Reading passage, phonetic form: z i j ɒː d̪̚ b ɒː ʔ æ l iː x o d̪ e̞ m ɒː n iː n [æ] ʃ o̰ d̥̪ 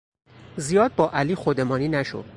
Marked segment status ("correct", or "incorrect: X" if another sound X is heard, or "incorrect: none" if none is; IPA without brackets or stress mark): correct